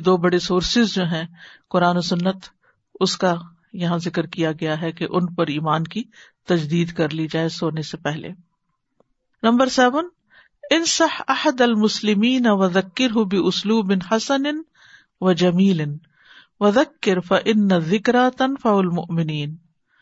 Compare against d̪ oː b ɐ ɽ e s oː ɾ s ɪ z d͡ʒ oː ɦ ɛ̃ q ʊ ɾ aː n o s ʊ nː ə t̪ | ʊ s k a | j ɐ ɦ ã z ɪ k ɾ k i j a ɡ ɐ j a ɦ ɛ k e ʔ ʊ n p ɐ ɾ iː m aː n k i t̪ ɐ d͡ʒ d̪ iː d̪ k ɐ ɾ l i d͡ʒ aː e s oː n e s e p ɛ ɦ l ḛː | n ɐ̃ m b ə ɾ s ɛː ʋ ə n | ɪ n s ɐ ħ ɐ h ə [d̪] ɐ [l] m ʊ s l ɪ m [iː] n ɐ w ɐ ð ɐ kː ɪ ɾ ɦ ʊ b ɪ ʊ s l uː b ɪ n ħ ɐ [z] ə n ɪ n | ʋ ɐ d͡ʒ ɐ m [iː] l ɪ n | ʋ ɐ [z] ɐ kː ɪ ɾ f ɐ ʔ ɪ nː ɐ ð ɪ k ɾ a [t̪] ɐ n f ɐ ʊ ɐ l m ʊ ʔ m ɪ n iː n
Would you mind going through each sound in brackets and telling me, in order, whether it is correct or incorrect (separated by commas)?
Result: correct, correct, correct, incorrect, correct, incorrect, correct